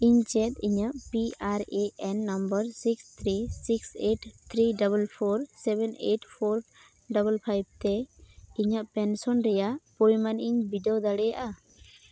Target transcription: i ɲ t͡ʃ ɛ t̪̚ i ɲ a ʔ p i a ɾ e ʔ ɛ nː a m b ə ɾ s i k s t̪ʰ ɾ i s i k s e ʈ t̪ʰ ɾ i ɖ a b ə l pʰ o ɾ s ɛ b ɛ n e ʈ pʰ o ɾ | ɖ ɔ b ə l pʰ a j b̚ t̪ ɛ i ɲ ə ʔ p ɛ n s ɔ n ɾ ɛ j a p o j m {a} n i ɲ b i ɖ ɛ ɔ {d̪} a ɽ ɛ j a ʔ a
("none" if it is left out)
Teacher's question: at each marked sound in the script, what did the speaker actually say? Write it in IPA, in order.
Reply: a, d̪

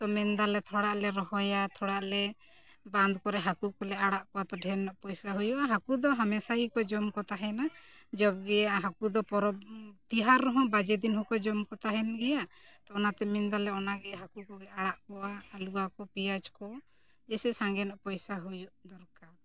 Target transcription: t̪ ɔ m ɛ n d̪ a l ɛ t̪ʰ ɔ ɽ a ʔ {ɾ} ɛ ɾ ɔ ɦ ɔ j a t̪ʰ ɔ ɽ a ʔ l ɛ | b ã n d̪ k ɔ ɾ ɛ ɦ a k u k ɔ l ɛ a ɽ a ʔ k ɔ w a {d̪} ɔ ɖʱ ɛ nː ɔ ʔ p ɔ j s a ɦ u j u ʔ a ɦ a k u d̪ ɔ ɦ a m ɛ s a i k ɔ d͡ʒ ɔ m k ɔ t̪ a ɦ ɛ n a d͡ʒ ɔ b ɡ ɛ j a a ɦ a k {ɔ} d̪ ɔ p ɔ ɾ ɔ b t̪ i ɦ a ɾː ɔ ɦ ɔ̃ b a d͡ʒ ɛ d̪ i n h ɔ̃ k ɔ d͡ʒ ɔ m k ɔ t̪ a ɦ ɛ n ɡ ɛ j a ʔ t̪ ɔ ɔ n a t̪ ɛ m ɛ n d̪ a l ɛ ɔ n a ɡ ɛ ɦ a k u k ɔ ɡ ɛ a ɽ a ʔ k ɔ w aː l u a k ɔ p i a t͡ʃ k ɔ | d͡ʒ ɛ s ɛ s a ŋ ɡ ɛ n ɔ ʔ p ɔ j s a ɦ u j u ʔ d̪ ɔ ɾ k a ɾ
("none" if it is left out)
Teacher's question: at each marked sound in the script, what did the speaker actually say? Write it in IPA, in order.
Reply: l, t̪, u

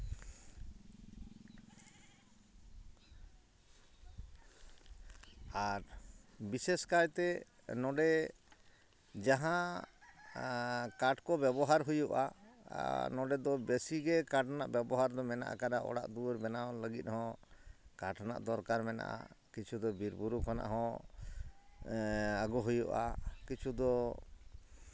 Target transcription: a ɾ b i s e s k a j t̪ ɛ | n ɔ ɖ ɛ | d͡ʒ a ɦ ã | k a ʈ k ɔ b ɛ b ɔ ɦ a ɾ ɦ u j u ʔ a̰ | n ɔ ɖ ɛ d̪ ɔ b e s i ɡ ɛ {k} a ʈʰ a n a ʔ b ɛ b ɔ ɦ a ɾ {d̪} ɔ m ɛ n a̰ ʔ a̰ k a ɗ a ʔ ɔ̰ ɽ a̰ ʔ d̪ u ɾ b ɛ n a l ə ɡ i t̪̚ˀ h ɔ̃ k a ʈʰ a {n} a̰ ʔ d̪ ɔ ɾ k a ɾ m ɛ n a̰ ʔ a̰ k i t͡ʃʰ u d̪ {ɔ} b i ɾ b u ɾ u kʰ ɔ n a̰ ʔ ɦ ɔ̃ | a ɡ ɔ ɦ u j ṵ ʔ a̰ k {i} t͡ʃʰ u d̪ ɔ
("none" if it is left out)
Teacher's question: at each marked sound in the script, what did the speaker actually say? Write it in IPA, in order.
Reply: k, d̪, n, ɔ, i

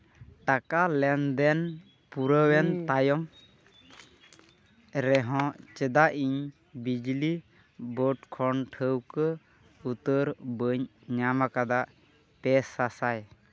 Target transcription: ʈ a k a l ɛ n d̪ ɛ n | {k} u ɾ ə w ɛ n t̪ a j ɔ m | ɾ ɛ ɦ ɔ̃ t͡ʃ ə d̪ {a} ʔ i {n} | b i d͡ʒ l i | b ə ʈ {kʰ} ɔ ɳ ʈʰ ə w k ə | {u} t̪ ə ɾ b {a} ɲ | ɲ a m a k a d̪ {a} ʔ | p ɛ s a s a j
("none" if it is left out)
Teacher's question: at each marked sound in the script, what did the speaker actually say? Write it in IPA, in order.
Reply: p, a, ɲ, kʰ, u, ə, a

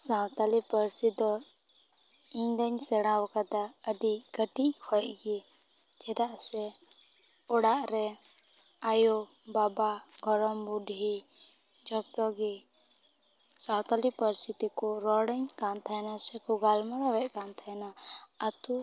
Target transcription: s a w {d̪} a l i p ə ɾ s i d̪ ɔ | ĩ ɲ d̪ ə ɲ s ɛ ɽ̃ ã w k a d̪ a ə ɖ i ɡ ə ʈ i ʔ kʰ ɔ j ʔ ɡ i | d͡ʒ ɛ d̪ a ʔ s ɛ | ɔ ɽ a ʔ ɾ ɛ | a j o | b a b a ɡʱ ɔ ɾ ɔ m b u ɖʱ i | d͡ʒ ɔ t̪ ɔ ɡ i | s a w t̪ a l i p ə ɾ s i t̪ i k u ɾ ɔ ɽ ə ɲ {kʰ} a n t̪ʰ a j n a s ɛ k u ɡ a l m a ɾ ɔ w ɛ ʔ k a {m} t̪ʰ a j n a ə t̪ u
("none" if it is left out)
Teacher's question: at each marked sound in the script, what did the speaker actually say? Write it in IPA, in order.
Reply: t̪, k, n

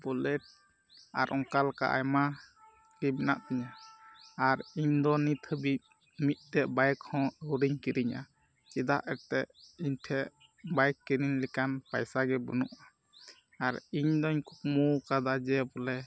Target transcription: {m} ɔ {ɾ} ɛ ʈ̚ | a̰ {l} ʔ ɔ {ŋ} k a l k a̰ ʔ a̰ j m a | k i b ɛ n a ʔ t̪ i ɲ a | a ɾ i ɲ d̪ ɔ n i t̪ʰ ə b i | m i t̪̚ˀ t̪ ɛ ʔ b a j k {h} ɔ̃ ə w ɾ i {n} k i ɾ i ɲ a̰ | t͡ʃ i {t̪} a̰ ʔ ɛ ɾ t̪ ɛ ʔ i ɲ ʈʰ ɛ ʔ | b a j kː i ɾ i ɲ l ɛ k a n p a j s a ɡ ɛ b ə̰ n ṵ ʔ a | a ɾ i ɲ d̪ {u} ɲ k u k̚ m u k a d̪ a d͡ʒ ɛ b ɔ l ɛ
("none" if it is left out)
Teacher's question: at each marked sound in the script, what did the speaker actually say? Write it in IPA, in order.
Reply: b, l, ɾ, ŋ, h, ɲ, d̪, ɔ

